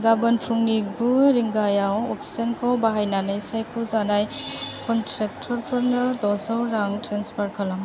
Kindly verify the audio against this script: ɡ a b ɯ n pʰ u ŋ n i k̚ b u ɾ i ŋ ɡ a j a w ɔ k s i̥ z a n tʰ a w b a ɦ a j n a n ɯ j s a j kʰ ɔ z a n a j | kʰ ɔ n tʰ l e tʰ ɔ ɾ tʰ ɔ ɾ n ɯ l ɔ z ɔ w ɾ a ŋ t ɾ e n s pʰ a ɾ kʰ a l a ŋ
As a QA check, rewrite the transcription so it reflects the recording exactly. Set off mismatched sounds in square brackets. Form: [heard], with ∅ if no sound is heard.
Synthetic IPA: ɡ a b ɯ n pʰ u ŋ n i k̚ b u ɾ i ŋ ɡ a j a w ɔ k s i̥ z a n [kʰ] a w b a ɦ a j n a n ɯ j s a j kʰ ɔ z a n a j | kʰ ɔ n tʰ [ɾ] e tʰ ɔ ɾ [pʰ] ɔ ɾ n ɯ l ɔ z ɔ w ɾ a ŋ t ɾ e n s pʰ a ɾ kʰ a l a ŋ